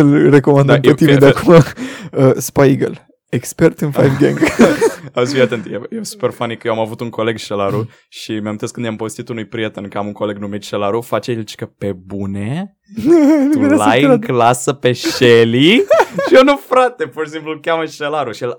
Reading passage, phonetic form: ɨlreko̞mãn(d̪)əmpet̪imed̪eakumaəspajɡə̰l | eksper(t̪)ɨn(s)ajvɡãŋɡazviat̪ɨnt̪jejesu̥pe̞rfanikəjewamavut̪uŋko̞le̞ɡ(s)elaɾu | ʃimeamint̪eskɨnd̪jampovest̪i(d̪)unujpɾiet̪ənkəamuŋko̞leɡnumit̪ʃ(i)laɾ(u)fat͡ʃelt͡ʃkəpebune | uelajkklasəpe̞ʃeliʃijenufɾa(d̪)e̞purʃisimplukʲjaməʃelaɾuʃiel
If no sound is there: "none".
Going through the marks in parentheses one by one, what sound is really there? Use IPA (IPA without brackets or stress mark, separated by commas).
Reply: d̪, t̪, f, ʃ, t̪, e, u, t̪